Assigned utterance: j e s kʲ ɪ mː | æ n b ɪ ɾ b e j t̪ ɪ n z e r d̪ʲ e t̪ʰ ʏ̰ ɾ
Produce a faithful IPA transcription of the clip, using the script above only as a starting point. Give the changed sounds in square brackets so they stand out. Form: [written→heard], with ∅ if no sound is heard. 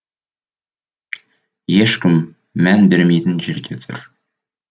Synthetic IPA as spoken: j e [s→ʃ] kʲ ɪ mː | æ n b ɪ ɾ [b→m] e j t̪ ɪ n [z→ʒ] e [r→ɾ] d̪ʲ e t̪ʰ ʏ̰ ɾ